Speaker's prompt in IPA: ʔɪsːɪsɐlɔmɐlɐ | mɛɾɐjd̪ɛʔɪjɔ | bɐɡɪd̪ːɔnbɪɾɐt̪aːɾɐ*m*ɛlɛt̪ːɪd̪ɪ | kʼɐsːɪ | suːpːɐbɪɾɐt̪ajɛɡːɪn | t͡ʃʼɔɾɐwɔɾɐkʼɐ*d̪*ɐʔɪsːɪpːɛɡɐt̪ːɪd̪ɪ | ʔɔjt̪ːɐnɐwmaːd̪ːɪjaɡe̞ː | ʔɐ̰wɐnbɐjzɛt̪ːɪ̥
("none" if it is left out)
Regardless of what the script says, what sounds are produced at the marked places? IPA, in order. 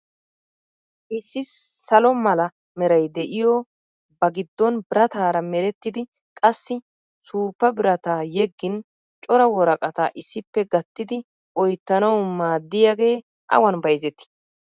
m, t̪

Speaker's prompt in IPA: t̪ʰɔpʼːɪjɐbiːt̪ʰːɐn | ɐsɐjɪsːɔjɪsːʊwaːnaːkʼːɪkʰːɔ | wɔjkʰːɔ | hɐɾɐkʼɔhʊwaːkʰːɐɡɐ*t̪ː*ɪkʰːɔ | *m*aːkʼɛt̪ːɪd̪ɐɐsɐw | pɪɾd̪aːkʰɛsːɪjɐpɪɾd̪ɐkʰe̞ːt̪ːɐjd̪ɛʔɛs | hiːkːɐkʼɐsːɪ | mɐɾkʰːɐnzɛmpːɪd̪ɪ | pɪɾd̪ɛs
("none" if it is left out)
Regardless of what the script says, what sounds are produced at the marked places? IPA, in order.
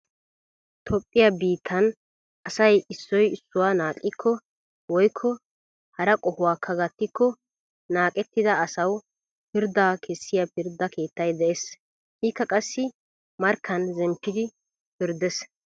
t̪ː, n

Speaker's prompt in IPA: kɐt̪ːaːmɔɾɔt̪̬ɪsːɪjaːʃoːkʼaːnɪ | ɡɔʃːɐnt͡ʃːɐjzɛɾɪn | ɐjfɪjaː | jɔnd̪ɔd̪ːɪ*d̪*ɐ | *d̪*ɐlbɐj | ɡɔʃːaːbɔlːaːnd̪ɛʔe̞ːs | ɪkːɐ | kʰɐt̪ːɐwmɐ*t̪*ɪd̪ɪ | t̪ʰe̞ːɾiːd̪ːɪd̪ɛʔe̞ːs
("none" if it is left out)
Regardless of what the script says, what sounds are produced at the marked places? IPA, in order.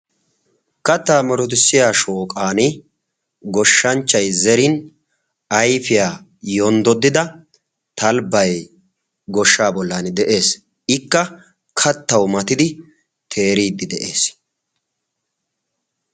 d̪, t̪, t̪

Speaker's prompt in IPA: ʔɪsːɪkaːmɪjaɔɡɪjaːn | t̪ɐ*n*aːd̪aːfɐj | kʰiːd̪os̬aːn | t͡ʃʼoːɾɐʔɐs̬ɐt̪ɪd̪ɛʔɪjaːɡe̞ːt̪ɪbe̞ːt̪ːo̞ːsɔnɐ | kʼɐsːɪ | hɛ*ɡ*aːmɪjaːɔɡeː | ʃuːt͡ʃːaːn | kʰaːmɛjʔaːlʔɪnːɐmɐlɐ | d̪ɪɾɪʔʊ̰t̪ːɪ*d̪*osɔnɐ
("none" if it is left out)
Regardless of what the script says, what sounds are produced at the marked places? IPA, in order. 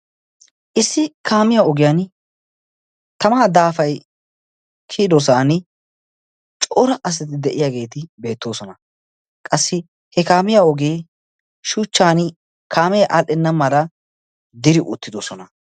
m, k, d̪

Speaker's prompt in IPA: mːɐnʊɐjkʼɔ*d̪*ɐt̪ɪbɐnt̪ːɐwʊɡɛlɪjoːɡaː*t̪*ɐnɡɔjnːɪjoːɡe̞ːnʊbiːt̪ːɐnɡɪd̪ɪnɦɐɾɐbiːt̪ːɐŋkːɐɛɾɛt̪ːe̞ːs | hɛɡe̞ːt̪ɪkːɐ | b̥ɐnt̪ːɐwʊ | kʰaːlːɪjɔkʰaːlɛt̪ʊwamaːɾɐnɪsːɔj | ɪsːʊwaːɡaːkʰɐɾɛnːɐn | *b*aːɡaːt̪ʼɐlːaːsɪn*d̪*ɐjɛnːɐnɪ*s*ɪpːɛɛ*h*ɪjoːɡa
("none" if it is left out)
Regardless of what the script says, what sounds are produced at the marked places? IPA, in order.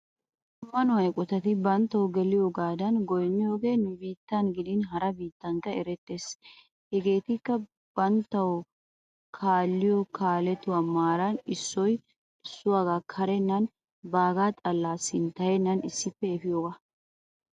t̪, d̪, b, t̪, sː, f

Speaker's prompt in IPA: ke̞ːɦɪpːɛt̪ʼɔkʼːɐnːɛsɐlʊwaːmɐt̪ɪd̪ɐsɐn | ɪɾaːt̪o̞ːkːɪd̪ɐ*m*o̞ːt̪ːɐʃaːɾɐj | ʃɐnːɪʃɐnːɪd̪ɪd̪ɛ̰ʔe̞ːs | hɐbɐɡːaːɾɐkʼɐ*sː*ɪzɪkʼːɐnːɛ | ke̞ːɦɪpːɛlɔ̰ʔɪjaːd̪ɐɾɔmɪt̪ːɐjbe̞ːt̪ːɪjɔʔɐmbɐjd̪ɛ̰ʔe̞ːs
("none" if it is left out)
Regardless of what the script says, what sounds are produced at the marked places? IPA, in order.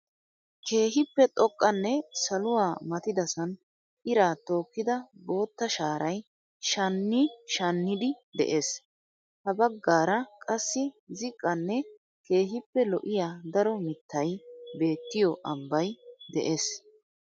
b, sː

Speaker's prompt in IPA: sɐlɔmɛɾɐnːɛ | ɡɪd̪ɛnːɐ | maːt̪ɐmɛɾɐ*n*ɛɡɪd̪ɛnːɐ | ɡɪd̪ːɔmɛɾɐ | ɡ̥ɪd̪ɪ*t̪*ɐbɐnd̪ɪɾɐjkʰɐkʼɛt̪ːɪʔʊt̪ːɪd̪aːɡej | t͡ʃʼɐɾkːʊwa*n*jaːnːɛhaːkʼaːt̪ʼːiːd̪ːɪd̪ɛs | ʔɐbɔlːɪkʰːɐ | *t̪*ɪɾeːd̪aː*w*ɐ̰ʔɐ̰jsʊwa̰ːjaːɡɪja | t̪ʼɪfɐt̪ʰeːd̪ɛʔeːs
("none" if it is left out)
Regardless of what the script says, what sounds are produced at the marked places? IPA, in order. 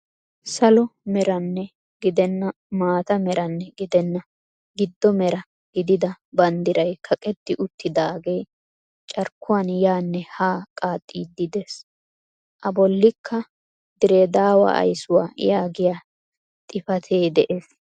nː, d̪, n, d̪, w

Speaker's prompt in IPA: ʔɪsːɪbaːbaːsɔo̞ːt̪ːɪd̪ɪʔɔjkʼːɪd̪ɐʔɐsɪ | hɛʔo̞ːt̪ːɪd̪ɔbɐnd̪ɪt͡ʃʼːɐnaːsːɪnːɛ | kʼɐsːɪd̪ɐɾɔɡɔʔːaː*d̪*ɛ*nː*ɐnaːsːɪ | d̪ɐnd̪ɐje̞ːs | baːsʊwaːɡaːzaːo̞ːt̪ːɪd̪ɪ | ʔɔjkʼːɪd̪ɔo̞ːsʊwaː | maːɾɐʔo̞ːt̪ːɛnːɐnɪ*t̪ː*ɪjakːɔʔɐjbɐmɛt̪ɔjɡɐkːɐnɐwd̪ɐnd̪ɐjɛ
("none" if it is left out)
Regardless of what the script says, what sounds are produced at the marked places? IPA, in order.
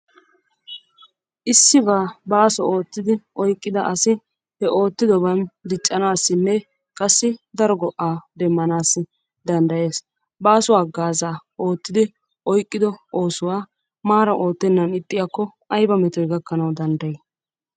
d̪, mː, t̪ʼː

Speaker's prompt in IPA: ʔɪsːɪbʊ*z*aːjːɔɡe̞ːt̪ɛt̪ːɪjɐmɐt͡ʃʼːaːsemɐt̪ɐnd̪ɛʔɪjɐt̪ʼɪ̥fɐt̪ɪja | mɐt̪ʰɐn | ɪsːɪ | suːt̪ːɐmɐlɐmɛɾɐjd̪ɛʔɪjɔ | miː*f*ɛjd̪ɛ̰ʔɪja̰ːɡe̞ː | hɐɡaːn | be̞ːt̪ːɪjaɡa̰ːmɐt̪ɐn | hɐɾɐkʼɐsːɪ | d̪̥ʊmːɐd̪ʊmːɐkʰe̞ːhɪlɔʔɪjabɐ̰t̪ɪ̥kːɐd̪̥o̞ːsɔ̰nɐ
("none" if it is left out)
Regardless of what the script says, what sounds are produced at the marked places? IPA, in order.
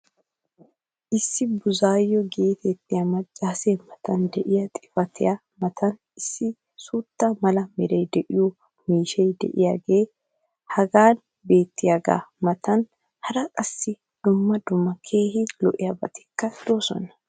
z, ʃ

